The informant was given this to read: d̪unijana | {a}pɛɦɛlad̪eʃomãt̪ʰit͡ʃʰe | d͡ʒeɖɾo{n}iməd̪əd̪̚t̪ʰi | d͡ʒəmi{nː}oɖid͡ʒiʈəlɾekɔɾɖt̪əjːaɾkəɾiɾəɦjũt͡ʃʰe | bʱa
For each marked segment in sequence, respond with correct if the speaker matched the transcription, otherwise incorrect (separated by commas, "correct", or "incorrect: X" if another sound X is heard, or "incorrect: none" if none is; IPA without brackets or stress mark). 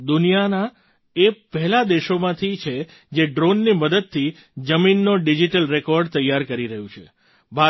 incorrect: e, incorrect: nː, correct